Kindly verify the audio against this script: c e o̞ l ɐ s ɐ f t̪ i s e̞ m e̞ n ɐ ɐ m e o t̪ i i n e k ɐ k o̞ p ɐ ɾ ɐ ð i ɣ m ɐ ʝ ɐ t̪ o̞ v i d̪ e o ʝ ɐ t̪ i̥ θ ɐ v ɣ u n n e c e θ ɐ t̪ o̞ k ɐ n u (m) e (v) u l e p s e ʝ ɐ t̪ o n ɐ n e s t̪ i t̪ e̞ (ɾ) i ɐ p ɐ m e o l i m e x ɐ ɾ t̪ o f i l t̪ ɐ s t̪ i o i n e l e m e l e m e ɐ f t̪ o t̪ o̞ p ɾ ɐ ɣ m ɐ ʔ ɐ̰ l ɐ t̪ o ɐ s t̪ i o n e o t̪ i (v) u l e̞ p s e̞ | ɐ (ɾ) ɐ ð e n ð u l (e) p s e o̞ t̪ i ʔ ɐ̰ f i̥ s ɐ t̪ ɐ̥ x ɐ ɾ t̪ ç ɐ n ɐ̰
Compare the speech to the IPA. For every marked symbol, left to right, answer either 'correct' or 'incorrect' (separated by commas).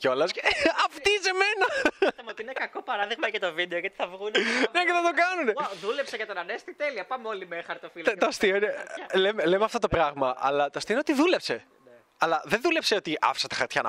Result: incorrect, incorrect, incorrect, incorrect, incorrect, correct